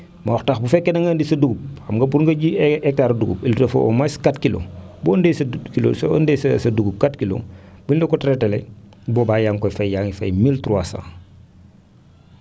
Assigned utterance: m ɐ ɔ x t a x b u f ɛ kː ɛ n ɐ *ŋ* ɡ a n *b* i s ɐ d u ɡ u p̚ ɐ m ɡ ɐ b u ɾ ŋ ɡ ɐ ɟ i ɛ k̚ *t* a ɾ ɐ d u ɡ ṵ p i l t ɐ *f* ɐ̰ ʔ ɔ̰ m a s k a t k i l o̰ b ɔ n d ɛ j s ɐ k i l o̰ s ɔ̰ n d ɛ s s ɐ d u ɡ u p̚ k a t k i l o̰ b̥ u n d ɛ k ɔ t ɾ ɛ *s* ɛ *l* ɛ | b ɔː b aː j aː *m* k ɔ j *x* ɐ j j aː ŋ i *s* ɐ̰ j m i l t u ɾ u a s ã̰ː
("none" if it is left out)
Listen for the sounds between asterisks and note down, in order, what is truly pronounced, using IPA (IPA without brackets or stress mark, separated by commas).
ŋ, d, t, f, t, l, ŋ, f, f